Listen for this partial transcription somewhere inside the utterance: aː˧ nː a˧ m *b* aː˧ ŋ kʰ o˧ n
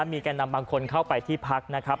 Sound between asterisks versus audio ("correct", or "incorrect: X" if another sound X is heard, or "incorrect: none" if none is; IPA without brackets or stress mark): correct